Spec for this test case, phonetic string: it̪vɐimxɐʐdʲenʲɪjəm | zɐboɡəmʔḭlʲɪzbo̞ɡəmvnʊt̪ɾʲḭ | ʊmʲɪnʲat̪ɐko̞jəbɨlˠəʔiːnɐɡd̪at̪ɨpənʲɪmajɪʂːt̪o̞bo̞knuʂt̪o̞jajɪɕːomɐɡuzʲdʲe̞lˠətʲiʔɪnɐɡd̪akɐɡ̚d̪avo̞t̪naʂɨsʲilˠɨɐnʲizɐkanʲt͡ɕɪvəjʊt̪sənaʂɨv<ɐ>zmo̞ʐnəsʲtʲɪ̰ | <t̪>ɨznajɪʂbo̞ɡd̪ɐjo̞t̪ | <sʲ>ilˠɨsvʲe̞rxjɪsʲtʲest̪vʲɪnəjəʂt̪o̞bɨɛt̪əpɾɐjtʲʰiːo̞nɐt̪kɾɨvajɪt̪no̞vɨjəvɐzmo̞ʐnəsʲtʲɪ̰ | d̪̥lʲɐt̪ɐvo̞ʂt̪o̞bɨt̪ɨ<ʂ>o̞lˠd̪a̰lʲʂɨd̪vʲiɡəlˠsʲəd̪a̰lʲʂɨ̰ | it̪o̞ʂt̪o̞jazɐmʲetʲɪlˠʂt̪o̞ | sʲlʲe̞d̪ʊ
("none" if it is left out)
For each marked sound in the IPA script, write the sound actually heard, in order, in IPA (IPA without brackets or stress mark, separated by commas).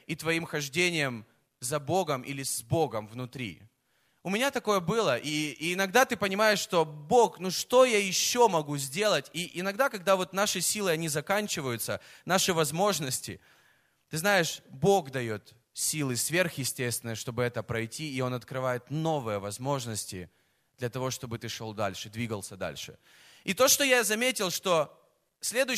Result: ɐ, t̪, sʲ, ʂ